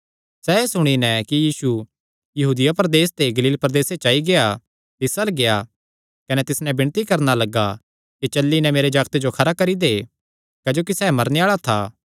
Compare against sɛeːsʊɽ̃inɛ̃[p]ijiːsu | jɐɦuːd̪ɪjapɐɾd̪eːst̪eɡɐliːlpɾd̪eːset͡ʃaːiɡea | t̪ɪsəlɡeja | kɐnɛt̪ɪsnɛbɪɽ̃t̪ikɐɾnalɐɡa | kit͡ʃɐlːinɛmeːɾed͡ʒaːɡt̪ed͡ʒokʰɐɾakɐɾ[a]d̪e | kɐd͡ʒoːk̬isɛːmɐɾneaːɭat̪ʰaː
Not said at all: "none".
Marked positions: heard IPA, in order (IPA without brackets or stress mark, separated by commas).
k, i